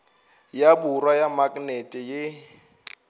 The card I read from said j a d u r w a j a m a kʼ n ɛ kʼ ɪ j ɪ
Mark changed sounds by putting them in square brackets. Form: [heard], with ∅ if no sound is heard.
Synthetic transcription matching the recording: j a [b] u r w a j a m a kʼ n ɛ [tʼ] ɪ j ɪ